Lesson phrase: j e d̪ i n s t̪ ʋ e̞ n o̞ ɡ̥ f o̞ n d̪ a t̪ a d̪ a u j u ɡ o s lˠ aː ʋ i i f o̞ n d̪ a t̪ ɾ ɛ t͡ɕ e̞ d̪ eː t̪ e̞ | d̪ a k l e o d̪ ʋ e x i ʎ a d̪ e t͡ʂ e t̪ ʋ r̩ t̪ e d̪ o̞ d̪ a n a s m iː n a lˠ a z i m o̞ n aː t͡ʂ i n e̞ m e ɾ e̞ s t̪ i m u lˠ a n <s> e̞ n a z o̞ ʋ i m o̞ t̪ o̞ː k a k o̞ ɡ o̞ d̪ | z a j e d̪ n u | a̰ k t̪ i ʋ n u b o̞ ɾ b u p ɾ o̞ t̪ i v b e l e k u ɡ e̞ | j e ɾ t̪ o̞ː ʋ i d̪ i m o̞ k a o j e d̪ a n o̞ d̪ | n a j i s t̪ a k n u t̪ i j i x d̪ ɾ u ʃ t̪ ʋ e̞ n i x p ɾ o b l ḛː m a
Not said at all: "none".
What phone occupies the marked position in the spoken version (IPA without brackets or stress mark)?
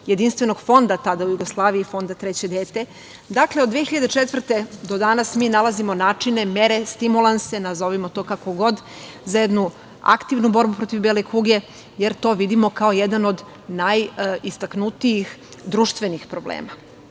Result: s